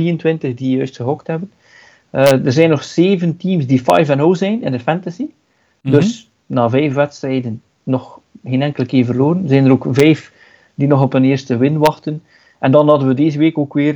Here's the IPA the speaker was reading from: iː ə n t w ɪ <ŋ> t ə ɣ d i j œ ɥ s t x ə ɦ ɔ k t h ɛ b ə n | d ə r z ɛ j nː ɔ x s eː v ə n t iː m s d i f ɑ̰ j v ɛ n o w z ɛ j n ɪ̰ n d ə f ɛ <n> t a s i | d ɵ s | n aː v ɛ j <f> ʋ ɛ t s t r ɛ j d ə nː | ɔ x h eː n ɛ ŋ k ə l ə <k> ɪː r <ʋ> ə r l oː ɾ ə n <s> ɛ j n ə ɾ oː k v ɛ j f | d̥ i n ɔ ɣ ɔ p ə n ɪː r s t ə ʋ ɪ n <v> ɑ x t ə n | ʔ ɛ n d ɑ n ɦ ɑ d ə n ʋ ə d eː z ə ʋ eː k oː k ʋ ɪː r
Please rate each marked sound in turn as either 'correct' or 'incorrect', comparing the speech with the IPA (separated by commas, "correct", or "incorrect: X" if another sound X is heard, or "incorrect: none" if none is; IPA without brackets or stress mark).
incorrect: n, correct, correct, correct, incorrect: v, incorrect: z, incorrect: ʋ